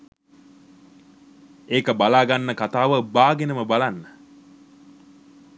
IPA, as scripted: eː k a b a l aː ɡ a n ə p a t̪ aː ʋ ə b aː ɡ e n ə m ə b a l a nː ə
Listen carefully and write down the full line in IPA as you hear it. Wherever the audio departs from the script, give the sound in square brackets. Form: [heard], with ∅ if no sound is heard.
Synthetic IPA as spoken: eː k [ə] b a l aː ɡ a [nː] ə [k] a t̪ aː ʋ ə b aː ɡ e n ə m ə b a l a nː ə

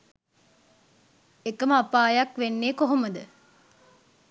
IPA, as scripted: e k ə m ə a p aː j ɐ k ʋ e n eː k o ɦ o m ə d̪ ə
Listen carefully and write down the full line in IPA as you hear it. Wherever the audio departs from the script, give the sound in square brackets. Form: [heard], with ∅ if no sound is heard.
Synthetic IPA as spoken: e k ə m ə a p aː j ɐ k ʋ e [nː] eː k o ɦ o m ə d̪ ə

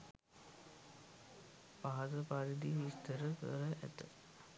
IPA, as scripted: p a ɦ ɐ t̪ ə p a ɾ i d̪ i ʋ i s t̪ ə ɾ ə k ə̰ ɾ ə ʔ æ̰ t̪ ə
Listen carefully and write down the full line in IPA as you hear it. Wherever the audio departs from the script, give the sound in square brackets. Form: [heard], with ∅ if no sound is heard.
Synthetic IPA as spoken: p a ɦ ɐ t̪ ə p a ɾ i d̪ i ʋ i s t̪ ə ɾ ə k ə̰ ɾ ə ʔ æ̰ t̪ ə

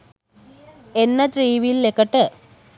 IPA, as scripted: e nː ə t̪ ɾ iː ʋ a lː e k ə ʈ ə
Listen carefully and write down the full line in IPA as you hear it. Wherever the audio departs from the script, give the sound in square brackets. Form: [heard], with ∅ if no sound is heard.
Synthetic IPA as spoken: e nː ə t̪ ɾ iː ʋ [i] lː e k ə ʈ ə

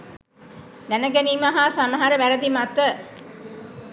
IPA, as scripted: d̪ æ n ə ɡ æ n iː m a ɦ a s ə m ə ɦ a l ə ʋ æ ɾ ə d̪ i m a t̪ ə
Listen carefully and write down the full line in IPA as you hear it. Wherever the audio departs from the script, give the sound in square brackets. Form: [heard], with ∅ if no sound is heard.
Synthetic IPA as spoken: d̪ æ n ə ɡ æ n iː m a ɦ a s [a] m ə ɦ a [ɾ] ə ʋ æ ɾ ə d̪ i m a t̪ ə

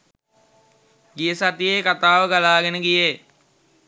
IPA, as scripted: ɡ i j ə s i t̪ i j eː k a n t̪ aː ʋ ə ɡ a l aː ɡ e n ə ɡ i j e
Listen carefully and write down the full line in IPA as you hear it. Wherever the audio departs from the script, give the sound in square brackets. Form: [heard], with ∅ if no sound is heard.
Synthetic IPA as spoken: ɡ i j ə s [a] t̪ i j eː k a [∅] t̪ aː ʋ ə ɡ a l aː ɡ e n ə ɡ i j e

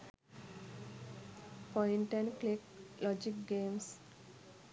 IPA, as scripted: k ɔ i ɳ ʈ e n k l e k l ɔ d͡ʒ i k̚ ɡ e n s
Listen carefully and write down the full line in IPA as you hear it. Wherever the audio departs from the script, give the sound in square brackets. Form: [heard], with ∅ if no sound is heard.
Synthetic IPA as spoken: [p] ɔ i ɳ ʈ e n k l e k l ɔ d͡ʒ i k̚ ɡ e [m] s

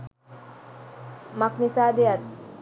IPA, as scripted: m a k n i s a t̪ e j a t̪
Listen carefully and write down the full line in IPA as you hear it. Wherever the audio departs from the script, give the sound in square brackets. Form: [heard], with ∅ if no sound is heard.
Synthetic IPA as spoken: m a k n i s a [d̪] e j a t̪

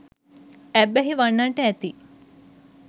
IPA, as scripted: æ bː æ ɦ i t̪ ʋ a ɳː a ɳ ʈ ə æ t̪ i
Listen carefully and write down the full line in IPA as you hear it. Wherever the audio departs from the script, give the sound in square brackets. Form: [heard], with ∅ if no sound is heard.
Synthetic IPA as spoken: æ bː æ ɦ i [∅] ʋ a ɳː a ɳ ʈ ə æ t̪ i

